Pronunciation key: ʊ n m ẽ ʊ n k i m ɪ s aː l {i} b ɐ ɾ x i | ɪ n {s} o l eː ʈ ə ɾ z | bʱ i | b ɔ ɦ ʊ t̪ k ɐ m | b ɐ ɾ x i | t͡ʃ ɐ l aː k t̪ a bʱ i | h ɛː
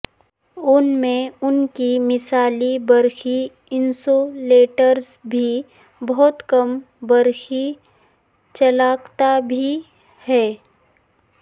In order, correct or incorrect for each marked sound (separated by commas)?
correct, correct